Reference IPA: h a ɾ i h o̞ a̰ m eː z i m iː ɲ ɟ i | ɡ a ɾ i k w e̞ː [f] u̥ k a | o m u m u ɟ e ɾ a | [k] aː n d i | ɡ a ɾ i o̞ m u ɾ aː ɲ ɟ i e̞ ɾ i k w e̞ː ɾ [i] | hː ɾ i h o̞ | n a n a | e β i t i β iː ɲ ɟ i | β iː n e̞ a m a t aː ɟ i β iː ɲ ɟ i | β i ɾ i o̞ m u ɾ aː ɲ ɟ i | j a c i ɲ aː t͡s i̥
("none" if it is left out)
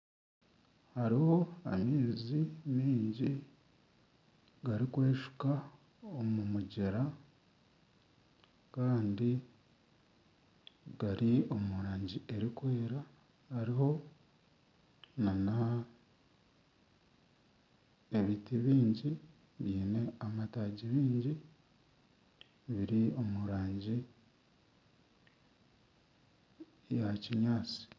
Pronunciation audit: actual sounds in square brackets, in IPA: ʃ, k, a

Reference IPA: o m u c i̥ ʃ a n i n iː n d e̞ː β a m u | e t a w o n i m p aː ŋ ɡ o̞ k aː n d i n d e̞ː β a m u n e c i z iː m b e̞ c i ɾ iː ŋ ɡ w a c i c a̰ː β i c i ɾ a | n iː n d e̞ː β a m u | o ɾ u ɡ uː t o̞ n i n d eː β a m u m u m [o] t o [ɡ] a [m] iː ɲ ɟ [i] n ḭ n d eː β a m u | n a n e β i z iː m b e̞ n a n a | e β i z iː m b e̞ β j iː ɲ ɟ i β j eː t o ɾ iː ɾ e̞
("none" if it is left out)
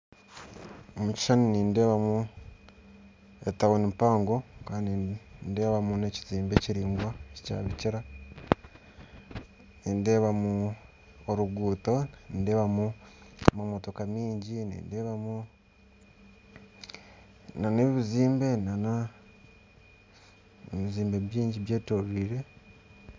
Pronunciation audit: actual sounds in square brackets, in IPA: o, k, m, i

